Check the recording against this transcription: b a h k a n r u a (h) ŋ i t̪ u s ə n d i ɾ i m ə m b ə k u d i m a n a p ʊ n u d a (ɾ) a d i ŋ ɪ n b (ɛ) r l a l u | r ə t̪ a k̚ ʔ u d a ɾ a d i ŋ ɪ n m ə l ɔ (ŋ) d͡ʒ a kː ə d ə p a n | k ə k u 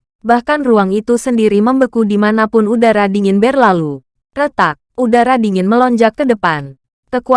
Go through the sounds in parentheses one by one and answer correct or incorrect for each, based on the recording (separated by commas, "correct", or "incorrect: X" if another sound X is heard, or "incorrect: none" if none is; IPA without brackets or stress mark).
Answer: incorrect: none, correct, correct, incorrect: ɲ